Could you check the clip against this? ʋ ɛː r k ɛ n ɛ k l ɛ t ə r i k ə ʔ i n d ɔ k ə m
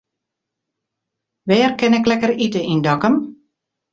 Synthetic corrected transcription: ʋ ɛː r k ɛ n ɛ k l ɛ k ə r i t ə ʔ i n d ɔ k ə m